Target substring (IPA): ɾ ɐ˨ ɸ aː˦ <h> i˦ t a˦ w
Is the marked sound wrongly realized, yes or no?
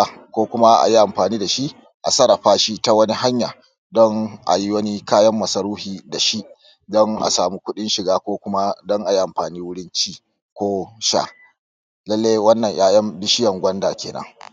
yes